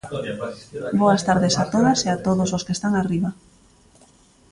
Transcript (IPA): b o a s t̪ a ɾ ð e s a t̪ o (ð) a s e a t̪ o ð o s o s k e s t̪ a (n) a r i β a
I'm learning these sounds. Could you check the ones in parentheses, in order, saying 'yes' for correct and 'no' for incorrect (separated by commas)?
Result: yes, no